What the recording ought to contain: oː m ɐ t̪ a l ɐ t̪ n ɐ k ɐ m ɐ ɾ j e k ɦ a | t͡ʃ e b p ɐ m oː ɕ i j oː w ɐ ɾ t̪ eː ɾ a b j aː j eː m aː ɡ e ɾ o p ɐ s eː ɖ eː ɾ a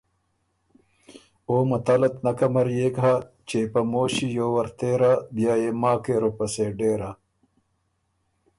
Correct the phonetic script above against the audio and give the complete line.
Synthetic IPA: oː m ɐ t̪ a l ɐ t̪ n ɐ k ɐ m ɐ ɾ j e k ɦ a | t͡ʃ e p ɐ m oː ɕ i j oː w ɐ ɾ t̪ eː ɾ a b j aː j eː m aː k e ɾ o p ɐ s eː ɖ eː ɾ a